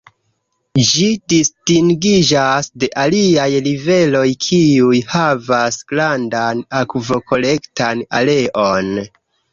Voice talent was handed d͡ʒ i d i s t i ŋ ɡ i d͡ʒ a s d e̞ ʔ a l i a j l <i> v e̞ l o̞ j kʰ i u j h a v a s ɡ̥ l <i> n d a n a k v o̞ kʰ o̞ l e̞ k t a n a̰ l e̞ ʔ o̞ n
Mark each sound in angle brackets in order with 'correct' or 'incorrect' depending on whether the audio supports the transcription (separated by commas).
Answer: correct, incorrect